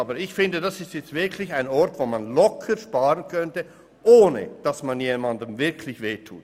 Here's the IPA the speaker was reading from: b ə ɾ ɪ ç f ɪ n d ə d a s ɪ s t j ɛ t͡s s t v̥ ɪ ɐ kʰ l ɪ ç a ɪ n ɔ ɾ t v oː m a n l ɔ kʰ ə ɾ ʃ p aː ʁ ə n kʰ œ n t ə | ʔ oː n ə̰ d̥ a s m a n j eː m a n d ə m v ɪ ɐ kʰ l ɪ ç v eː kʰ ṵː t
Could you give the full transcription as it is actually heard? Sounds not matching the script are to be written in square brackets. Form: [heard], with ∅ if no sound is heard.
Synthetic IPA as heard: b ə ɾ ɪ ç f ɪ n d ə d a s ɪ s t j ɛ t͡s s t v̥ ɪ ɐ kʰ l ɪ ç a ɪ n ɔ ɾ t v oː m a n l ɔ kʰ ə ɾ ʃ p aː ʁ ə n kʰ œ n t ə | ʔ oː n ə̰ d̥ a s m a n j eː m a n d ə m v ɪ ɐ kʰ l ɪ ç v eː [tʰ] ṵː t

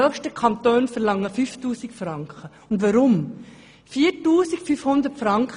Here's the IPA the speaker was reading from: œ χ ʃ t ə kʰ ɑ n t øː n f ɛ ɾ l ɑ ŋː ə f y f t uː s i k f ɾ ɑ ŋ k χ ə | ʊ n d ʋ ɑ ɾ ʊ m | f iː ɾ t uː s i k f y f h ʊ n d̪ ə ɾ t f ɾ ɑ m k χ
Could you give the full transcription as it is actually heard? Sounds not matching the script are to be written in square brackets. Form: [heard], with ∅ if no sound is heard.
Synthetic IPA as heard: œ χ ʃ t ə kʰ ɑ n t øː n f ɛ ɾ l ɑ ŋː ə f y f t uː s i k f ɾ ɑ ŋ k χ ə | ʊ n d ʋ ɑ ɾ ʊ m | f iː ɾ t uː s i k f y f h ʊ n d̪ ə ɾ t f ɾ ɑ [ŋ] k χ

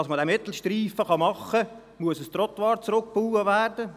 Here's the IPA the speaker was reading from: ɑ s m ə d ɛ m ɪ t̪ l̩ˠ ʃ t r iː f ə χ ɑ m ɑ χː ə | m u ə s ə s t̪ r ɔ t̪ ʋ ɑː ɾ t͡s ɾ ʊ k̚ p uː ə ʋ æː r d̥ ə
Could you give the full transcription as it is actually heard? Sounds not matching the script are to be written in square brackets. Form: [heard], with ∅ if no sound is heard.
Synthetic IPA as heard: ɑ s m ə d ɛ m ɪ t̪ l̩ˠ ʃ t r iː f ə χ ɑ m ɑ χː ə | m u ə s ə s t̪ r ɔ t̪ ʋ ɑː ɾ t͡s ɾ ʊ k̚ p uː ə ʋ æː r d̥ ə

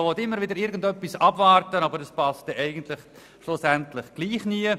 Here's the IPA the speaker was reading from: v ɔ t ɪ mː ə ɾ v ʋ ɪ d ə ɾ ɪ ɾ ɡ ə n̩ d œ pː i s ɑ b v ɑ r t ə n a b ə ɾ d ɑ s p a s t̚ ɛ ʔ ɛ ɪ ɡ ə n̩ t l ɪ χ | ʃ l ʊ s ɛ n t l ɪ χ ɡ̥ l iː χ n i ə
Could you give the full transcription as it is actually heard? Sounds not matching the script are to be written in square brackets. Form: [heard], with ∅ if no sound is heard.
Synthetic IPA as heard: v ɔ t ɪ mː ə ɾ v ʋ ɪ d ə ɾ ɪ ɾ ɡ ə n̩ d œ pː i s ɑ b v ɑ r t ə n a b ə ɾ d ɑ s p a s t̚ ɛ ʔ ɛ ɪ ɡ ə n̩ t l ɪ χ | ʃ l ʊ s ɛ n t l ɪ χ ɡ̥ l iː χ n i ə

